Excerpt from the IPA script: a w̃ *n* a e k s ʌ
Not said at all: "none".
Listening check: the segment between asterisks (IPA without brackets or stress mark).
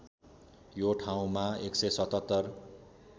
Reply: m